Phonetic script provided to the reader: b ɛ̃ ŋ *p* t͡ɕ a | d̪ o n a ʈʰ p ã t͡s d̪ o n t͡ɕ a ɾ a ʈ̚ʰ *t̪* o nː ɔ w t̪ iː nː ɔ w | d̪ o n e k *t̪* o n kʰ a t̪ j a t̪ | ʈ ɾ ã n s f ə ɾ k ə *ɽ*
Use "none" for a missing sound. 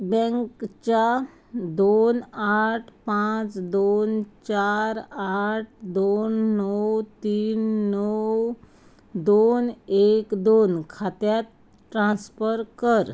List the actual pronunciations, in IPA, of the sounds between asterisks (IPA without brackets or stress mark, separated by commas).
k, d̪, d̪, ɾ